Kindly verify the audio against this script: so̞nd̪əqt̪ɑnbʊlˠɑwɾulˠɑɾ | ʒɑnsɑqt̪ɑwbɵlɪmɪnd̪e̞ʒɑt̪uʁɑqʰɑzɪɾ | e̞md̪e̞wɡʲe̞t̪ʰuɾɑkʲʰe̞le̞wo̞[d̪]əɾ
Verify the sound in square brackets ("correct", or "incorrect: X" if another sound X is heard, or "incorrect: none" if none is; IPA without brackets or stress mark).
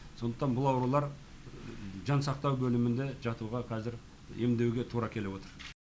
incorrect: t̪